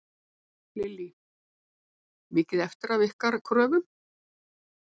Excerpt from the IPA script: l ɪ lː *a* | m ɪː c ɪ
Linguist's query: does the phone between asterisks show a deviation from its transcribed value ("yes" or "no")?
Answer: yes